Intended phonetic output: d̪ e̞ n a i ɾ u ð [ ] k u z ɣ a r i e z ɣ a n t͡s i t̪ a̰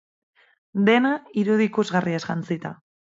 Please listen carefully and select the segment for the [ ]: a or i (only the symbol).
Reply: i